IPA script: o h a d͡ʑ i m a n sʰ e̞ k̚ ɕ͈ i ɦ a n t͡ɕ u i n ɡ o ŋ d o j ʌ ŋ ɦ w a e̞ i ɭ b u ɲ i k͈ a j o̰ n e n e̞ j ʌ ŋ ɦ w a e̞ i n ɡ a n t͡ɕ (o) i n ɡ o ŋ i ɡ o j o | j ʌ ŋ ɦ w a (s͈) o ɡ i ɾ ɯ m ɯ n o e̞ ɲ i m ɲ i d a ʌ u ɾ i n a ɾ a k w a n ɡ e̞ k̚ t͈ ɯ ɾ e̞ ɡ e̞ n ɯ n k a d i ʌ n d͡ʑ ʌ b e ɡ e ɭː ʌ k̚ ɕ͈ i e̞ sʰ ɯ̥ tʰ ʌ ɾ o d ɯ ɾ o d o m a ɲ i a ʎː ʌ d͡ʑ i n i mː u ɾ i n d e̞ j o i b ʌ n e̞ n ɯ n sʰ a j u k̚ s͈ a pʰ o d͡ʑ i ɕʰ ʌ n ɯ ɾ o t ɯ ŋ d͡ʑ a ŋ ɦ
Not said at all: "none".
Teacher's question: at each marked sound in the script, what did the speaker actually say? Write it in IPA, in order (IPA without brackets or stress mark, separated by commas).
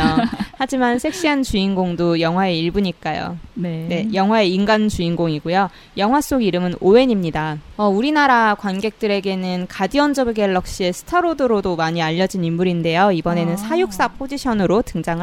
u, s͈